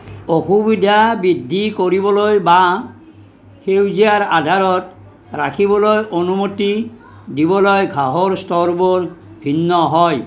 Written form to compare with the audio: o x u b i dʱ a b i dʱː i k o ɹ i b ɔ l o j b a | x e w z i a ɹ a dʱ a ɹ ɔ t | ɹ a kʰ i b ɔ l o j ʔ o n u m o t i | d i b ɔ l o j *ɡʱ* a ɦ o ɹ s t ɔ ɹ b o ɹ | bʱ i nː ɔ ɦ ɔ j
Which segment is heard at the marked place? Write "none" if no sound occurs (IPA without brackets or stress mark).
ɡʱ